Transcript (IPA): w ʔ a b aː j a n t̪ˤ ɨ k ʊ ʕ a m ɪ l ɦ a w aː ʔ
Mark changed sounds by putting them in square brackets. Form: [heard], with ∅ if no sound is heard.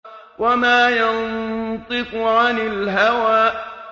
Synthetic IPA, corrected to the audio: w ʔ a [m] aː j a n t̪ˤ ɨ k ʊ ʕ a [n] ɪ l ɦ a w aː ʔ

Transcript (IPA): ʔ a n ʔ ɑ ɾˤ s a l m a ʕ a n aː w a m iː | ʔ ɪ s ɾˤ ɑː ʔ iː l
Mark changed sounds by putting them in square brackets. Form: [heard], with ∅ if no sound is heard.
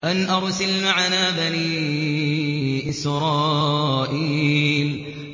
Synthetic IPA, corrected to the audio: ʔ a n ʔ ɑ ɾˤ s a l m a ʕ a n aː [b] a [n] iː | ʔ ɪ s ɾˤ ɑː ʔ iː l

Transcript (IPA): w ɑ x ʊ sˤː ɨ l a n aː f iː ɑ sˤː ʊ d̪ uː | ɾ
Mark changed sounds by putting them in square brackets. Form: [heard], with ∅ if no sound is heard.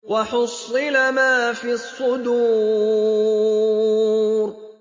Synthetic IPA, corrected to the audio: w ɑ [ħ] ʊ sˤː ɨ l a [m] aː f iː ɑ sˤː ʊ d̪ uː | ɾ

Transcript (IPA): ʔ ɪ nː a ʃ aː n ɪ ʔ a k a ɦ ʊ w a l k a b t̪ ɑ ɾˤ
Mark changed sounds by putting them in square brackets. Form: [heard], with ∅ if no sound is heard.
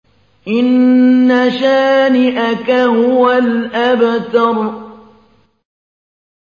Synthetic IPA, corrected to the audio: ʔ ɪ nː a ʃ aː n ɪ ʔ a k a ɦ ʊ w a l [ʔ] a b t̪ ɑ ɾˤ

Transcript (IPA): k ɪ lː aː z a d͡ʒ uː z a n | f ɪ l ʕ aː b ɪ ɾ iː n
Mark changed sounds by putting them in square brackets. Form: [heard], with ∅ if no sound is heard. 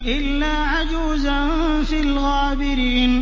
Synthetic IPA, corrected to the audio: [ʔ] ɪ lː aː [ʕ] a d͡ʒ uː z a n | f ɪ l [ɣ] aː b ɪ ɾ iː n

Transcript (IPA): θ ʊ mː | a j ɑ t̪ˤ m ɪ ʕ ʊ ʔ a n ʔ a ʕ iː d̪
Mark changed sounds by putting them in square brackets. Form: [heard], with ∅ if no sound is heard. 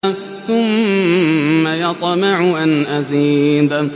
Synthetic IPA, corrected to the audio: θ ʊ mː | a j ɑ t̪ˤ m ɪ ʕ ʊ ʔ a n ʔ a [z] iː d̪

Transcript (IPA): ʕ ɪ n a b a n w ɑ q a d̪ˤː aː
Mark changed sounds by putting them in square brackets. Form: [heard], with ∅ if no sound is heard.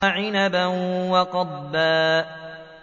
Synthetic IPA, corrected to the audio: ʕ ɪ n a b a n w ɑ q [ɑ] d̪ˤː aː

